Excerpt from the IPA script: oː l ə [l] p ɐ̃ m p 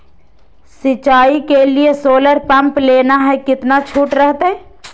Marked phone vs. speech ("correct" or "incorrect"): incorrect